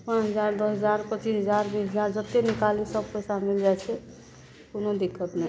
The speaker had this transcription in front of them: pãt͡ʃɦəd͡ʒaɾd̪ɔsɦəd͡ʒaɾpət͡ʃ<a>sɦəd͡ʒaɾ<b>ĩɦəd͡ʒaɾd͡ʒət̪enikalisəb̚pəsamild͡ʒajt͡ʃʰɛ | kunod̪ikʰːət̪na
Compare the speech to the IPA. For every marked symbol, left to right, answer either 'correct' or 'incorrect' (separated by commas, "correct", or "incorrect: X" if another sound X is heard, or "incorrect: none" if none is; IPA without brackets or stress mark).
incorrect: i, correct